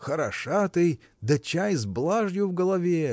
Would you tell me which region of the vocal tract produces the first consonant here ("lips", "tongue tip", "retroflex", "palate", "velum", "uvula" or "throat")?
velum